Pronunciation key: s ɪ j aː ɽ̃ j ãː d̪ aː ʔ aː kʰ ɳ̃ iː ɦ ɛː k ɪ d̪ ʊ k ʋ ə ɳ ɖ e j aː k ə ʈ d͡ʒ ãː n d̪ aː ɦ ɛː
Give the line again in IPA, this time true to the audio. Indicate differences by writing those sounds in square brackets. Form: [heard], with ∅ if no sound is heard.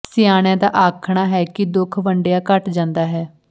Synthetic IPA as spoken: s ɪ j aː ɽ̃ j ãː d̪ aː ʔ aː kʰ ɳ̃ [aː] ɦ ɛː k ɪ d̪ ʊ [kʰ] ʋ ə ɳ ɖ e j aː k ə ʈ d͡ʒ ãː n d̪ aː ɦ ɛː